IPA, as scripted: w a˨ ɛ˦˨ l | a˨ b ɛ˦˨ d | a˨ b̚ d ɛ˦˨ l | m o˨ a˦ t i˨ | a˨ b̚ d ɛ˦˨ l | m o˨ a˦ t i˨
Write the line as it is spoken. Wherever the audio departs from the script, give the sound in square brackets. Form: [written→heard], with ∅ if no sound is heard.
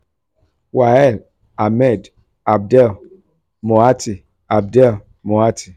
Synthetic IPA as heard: w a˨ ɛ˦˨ l | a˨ [b→m] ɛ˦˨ d | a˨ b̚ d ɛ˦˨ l | m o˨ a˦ t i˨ | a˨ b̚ d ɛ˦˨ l | m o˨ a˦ t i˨